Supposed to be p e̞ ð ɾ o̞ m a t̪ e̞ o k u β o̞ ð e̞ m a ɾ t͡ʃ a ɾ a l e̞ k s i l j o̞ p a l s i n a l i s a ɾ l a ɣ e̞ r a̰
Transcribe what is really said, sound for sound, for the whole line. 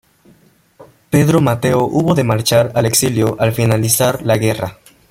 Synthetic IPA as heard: p e̞ ð ɾ o̞ m a t̪ e̞ o ʔ u β o̞ ð e̞ m a ɾ t͡ʃ a ɾ a l e̞ k s i l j o̞ ʔ a l f i n a l i s a ɾ l a ɣ e̞ r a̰